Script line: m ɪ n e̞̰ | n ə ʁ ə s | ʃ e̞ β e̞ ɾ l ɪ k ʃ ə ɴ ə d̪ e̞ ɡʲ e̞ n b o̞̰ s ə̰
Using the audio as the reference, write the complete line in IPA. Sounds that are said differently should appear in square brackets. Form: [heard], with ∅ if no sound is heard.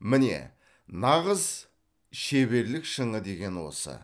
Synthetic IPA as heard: m ɪ n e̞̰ | n [ɑ] ʁ ə [z] | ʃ e̞ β e̞ ɾ l ɪ k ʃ ə ɴ ə d̪ e̞ ɡʲ e̞ n [w] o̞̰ s ə̰